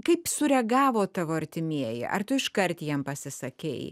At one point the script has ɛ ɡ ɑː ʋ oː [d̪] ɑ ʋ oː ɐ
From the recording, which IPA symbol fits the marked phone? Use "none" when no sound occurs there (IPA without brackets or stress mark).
t̪